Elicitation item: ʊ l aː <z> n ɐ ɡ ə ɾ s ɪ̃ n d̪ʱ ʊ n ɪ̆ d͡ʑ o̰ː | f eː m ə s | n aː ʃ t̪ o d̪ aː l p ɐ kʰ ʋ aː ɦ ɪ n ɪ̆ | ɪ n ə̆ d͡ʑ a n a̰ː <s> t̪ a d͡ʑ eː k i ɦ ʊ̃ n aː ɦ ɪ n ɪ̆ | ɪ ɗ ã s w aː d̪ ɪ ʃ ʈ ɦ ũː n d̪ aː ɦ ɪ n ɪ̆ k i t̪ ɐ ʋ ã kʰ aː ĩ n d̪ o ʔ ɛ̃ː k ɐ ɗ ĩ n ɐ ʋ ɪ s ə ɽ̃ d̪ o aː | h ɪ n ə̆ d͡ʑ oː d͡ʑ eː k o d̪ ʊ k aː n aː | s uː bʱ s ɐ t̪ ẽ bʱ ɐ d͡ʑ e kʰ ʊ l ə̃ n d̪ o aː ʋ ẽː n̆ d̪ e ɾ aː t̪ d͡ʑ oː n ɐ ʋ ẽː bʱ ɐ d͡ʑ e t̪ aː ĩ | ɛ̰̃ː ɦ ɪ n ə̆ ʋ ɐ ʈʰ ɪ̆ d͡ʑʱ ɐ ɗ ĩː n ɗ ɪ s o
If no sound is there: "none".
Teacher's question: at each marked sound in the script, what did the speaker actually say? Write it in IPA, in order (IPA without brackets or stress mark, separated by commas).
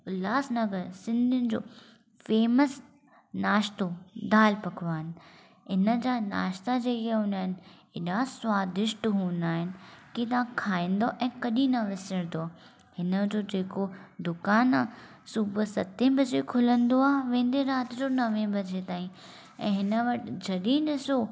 s, ʃ